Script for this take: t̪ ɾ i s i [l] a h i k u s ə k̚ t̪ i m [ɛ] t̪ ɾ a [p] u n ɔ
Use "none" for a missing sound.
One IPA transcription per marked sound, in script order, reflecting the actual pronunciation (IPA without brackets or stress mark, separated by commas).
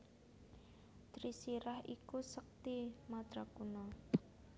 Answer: ɾ, a, k